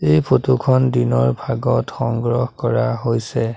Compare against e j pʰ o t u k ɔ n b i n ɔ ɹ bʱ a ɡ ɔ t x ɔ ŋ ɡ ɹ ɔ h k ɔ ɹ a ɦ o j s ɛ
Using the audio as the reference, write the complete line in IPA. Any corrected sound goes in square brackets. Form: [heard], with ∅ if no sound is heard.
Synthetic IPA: e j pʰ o t u [kʰ] ɔ n [d] i n ɔ ɹ bʱ a ɡ ɔ t x ɔ ŋ ɡ ɹ ɔ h k ɔ ɹ a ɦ o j s ɛ